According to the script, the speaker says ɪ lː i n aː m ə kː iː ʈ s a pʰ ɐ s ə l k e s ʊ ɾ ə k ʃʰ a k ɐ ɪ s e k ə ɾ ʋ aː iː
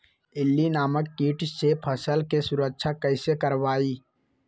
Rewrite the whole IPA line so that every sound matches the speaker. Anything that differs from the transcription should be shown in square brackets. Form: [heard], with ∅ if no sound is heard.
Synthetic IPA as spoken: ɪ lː i n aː m ə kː iː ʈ s [e] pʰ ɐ s ə l k e s ʊ ɾ ə k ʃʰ a k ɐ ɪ s e k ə ɾ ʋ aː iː